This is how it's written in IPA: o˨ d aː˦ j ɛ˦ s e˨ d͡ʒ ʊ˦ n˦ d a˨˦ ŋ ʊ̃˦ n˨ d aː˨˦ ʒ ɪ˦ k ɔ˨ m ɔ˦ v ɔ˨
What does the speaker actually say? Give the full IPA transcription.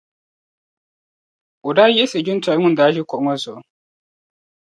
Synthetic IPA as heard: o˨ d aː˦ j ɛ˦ s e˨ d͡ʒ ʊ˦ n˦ t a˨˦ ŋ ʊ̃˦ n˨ d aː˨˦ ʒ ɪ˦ k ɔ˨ ŋ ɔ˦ z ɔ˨